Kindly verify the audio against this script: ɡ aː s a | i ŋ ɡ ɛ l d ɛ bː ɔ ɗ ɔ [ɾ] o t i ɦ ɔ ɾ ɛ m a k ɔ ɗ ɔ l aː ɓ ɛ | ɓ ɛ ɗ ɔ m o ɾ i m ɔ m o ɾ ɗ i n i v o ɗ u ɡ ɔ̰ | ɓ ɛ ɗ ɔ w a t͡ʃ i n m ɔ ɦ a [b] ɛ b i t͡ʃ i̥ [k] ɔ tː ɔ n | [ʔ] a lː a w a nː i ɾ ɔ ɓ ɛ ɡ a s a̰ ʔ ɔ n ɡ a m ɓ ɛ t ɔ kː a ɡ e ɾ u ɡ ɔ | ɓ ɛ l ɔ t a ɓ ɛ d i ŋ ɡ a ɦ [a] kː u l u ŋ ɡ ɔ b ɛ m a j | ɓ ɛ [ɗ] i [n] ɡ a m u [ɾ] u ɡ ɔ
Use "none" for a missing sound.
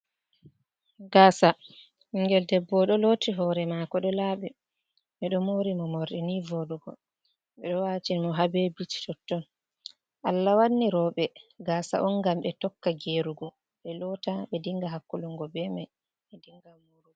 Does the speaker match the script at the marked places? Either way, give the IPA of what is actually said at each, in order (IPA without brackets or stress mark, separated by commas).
l, b, t, ʔ, a, d, ŋ, ɾ